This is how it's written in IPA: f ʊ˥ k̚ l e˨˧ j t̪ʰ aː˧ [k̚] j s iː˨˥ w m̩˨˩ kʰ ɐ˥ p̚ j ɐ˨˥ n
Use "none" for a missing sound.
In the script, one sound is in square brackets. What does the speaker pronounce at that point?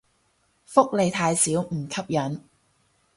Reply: none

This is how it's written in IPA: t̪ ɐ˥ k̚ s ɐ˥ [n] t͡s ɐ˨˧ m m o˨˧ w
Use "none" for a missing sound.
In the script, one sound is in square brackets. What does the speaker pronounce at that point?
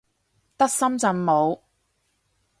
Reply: m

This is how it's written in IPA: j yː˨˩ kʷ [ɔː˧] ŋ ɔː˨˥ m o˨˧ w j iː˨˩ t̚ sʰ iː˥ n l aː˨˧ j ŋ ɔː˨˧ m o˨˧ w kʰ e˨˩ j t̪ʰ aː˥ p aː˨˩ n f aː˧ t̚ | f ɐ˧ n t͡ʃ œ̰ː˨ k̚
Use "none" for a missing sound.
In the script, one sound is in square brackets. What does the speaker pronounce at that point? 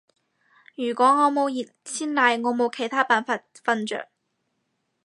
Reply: ɔː˨˥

